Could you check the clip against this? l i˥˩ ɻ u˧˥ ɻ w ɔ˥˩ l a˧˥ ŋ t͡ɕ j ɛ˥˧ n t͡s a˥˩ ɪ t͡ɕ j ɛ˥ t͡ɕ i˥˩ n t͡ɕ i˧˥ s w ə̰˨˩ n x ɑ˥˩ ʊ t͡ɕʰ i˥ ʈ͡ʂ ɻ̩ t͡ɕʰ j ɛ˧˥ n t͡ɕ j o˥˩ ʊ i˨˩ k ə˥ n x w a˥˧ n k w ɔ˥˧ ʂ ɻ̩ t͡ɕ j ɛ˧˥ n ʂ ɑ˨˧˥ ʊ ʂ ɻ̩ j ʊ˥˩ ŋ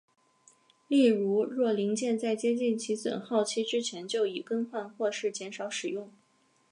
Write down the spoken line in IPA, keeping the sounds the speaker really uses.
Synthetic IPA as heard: l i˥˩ ɻ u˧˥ ɻ w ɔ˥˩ l i˧˥ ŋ t͡ɕ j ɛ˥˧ n t͡s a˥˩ ɪ t͡ɕ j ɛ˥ t͡ɕ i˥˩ n t͡ɕʰ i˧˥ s w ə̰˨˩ n x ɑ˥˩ ʊ t͡ɕʰ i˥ ʈ͡ʂ ɻ̩ t͡ɕʰ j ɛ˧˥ n t͡ɕ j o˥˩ ʊ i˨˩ k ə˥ n x w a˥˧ n x w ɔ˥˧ ʂ ɻ̩ t͡ɕ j ɛ˧˥ n ʂ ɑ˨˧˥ ʊ ʂ ɻ̩ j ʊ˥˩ ŋ